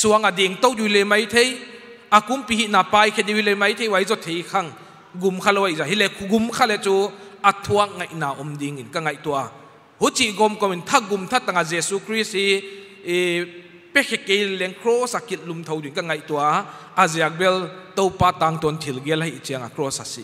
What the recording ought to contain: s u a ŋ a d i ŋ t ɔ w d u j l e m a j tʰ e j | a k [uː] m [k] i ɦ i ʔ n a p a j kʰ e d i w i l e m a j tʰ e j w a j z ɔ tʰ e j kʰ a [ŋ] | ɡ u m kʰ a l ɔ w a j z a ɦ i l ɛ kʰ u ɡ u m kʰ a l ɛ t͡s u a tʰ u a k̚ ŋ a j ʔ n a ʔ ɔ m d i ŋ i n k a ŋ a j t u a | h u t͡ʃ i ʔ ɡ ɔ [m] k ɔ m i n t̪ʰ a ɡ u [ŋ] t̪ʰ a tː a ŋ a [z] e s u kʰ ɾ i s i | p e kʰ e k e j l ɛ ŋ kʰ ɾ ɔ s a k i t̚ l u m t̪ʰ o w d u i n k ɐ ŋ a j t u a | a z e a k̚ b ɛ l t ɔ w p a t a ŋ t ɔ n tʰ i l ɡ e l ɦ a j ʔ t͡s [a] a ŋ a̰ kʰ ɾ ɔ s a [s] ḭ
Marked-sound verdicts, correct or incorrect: incorrect, incorrect, correct, correct, incorrect, correct, incorrect, correct

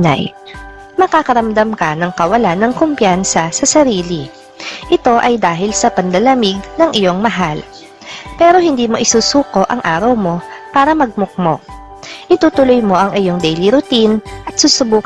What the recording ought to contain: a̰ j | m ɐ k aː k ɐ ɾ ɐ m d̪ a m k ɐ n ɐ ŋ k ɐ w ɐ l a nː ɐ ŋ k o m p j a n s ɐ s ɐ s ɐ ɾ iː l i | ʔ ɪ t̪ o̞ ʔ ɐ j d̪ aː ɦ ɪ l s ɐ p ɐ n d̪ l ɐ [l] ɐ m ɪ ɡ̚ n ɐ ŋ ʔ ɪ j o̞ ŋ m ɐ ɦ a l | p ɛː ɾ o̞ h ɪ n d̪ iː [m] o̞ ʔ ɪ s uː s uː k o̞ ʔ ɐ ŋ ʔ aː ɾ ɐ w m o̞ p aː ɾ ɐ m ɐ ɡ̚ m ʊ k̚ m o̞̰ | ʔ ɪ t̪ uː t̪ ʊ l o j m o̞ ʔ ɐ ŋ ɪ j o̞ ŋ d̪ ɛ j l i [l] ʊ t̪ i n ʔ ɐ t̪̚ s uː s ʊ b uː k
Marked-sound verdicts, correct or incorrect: correct, correct, incorrect

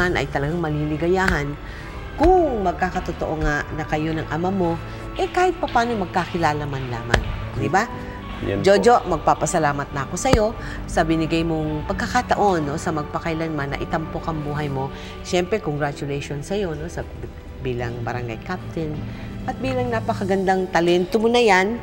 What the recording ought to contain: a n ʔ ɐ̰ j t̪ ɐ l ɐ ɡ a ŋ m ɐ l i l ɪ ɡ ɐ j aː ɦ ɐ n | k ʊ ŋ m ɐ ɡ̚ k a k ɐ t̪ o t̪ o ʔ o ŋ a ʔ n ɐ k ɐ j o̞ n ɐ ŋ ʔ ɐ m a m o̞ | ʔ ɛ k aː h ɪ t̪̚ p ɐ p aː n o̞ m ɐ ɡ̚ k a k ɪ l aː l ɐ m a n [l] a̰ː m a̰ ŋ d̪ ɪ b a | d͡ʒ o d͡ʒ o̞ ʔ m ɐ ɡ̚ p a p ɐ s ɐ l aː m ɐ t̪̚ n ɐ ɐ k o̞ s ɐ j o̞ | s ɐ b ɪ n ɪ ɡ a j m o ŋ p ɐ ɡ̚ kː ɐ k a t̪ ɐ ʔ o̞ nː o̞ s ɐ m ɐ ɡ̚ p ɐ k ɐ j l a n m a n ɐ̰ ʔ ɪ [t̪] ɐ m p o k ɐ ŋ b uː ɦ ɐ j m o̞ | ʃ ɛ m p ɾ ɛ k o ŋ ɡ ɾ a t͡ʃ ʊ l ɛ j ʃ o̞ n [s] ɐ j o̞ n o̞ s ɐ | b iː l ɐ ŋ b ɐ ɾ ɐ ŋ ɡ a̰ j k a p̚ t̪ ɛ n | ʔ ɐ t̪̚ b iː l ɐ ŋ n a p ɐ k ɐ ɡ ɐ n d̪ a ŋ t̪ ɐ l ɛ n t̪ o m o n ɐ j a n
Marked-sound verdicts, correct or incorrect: correct, correct, correct

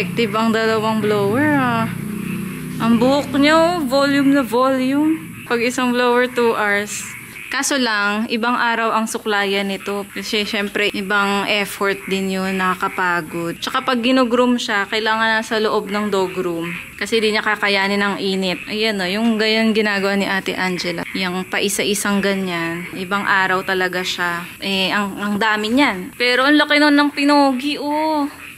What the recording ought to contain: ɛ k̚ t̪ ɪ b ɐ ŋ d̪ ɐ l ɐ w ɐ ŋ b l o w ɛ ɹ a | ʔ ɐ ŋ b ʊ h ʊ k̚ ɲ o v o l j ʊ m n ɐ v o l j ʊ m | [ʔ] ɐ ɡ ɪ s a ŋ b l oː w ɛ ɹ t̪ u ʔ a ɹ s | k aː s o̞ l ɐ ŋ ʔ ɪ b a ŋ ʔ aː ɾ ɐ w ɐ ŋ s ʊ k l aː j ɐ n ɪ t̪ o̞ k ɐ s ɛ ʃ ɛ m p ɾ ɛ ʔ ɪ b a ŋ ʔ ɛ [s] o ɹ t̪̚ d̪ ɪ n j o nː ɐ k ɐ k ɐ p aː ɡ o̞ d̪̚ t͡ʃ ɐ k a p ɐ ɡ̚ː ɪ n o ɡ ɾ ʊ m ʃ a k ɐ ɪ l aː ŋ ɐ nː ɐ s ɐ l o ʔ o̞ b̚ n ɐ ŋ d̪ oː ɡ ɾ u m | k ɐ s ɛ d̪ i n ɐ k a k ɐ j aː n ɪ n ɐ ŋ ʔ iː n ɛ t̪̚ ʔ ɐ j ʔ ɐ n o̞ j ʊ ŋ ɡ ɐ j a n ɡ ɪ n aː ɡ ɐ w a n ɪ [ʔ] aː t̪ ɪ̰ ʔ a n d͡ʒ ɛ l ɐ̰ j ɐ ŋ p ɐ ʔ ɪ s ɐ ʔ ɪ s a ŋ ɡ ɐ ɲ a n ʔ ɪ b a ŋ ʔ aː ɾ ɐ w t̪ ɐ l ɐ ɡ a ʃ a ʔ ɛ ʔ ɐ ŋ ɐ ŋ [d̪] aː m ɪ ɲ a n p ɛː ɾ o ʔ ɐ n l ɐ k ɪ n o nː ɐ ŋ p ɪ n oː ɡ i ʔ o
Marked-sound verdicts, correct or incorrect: incorrect, incorrect, correct, correct

